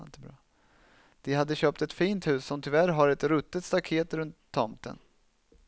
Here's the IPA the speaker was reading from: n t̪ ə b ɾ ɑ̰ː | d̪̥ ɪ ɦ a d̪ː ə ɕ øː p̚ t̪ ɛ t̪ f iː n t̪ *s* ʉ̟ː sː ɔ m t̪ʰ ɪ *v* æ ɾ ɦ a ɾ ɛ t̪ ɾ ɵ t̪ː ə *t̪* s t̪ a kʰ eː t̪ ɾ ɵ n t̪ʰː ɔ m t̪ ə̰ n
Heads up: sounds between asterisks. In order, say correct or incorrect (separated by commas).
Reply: incorrect, correct, correct